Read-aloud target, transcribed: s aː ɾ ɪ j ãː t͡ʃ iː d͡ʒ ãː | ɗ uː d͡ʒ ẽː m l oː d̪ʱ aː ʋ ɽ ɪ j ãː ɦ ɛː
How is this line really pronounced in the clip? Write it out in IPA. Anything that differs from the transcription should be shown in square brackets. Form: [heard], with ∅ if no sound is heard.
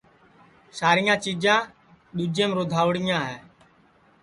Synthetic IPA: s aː ɾ ɪ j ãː t͡ʃ iː d͡ʒ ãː | ɗ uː d͡ʒ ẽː m [ɾ] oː d̪ʱ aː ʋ ɽ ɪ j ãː ɦ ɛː

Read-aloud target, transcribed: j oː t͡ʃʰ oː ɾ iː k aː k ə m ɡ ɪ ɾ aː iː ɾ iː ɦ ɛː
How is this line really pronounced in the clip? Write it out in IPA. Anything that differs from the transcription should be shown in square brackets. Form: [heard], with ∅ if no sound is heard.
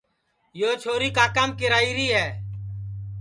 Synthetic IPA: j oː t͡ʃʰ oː ɾ iː k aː k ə m [k] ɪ ɾ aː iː ɾ iː ɦ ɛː

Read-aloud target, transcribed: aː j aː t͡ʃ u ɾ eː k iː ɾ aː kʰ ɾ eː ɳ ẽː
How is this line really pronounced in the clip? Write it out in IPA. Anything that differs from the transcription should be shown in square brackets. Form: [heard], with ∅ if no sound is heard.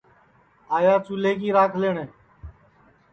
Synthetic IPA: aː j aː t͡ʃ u [l] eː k iː ɾ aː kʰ [l] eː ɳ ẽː

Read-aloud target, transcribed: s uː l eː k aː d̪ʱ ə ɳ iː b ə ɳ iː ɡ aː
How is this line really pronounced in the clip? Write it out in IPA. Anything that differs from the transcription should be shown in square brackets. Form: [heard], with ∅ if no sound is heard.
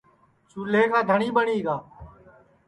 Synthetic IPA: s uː l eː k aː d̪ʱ ə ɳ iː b ə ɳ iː ɡ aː

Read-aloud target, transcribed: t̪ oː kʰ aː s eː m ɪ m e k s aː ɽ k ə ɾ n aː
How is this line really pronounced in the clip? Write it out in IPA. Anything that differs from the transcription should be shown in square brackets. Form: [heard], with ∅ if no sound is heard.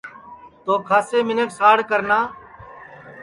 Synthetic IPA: t̪ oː kʰ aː s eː m ɪ [n] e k s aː ɽ k ə ɾ n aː

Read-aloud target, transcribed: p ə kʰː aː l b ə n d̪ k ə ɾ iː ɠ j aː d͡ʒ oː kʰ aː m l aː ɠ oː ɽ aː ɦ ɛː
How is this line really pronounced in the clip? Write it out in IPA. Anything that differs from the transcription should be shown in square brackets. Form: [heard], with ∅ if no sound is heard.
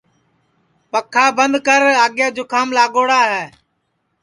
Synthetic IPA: p ə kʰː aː [∅] b ə n d̪ k ə ɾ [aː] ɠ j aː d͡ʒ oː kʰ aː m l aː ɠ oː ɽ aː ɦ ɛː

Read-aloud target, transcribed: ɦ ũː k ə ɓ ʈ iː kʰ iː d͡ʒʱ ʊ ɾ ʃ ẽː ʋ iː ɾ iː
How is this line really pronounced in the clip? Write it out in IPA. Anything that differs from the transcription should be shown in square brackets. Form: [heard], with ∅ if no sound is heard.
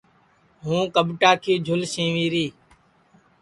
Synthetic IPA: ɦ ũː k ə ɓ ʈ [aː] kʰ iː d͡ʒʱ ʊ [l] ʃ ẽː ʋ iː ɾ iː

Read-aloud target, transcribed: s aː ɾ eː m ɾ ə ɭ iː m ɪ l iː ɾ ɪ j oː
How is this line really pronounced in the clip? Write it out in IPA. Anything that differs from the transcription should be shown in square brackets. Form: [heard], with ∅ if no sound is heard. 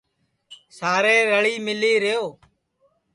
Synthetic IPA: s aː ɾ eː [∅] ɾ ə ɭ iː m ɪ l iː ɾ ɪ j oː

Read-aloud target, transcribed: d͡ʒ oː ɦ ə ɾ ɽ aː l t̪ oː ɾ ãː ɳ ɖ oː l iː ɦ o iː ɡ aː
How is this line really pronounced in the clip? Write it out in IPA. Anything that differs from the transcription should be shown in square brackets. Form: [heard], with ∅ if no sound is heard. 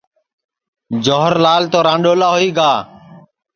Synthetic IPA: d͡ʒ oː ɦ ə ɾ [l] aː l t̪ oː ɾ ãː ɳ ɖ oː l [aː] ɦ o iː ɡ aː

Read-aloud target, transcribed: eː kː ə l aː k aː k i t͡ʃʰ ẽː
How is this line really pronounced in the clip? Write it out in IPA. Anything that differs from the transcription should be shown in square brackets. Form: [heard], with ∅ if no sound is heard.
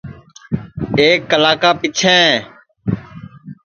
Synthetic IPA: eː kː ə l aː k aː [p] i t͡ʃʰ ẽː

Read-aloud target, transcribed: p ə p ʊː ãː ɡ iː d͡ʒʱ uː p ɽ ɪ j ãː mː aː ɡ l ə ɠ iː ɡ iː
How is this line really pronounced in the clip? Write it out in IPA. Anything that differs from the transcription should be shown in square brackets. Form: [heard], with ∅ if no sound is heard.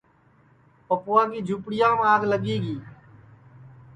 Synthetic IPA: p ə p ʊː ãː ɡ iː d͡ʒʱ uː p ɽ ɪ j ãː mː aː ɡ l ə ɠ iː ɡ iː

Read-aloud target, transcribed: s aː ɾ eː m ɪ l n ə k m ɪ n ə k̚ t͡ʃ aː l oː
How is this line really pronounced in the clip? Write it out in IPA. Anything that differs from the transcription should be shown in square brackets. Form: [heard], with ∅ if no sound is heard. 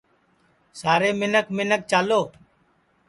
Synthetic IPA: s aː ɾ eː m ɪ [∅] n ə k m ɪ n ə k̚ t͡ʃ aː l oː

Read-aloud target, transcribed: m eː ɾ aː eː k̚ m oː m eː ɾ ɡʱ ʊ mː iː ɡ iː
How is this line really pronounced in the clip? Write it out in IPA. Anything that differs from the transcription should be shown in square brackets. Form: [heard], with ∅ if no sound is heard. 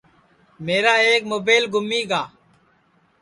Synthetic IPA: m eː ɾ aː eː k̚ m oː [b] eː [l] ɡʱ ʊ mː iː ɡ [aː]

